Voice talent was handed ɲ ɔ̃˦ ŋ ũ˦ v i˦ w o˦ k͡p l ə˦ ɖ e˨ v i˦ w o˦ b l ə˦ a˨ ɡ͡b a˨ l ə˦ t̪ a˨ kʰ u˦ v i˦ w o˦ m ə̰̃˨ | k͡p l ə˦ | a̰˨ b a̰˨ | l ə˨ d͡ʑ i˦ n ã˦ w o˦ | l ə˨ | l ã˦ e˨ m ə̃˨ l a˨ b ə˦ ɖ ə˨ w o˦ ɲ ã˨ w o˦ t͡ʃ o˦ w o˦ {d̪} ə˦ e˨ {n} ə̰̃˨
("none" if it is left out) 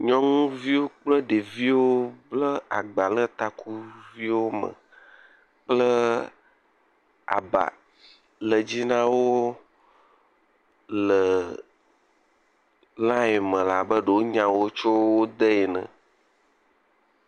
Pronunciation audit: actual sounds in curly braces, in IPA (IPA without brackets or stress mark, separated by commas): d̪, n